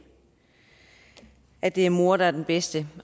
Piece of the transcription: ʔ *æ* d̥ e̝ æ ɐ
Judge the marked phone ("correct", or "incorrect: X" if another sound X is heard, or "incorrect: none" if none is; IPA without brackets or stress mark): correct